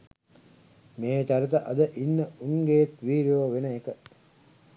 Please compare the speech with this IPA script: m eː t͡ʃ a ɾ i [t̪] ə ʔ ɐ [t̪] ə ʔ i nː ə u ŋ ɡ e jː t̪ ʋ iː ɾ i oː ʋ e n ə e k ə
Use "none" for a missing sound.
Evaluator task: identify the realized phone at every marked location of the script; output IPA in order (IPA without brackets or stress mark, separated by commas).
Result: t̪, d̪